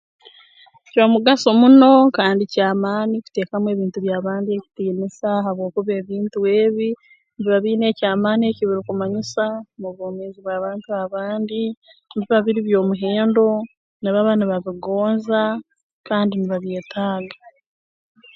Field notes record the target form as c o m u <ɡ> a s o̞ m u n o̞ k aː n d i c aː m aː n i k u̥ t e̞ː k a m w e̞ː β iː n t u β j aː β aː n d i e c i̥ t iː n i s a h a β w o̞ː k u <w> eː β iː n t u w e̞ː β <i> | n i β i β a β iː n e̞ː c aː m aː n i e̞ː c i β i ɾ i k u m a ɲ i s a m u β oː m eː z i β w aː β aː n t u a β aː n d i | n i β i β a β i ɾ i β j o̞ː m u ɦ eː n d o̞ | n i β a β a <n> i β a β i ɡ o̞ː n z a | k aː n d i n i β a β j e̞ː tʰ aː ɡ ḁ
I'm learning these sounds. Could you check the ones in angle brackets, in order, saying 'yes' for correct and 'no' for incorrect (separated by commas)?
yes, no, yes, yes